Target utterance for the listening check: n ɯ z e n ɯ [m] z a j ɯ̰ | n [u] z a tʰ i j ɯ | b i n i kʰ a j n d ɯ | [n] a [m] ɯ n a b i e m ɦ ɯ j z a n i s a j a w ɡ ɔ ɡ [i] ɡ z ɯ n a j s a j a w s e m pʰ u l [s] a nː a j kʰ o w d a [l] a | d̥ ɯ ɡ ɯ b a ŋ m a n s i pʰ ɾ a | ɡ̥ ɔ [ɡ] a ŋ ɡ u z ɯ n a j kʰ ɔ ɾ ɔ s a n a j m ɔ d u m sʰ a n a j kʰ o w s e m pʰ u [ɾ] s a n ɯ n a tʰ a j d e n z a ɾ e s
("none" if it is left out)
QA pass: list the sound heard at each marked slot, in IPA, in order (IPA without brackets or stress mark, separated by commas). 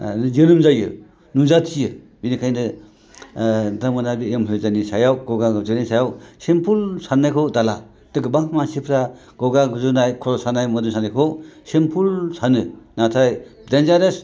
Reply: m, u, d, m, a, s, l, ɡ, l